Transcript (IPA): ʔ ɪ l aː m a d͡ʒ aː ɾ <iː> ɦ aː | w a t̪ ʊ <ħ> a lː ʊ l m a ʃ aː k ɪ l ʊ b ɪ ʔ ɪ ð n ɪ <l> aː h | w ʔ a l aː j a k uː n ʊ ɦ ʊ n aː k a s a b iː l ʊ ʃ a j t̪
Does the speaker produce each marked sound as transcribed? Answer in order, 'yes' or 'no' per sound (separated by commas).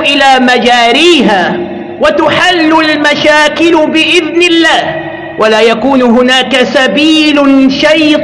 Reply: yes, yes, no